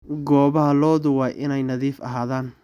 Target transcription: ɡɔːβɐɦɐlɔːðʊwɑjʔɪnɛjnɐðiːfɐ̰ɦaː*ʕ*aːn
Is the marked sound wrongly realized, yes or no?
yes